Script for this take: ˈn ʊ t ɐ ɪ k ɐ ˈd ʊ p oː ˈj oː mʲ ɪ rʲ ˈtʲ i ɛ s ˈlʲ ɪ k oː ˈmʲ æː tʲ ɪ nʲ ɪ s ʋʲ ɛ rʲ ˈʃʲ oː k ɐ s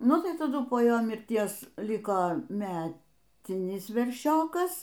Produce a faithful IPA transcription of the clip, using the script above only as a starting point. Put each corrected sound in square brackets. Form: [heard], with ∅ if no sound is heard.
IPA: ˈn ʊ t ɐ ɪ [t] ɐ ˈd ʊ p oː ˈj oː mʲ ɪ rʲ ˈtʲ i ɛ s ˈlʲ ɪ k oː ˈmʲ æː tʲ ɪ nʲ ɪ s ʋʲ ɛ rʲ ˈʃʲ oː k ɐ s